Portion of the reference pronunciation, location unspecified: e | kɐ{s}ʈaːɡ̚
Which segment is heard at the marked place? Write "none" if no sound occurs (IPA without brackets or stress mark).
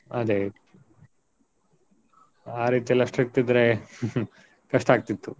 ʂ